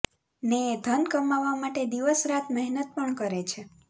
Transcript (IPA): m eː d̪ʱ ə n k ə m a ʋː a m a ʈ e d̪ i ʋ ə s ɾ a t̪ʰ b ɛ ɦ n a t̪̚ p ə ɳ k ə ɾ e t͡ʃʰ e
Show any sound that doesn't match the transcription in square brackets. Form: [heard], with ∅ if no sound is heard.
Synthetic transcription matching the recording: [n] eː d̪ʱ ə n k ə m a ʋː a m a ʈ e d̪ i ʋ ə s ɾ a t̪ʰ [m] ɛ ɦ n [ə] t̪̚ p ə ɳ k ə ɾ e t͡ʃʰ e